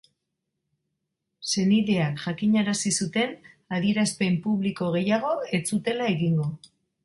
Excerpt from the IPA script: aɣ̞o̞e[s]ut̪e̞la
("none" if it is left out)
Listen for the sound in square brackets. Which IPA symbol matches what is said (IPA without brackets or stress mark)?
t͡s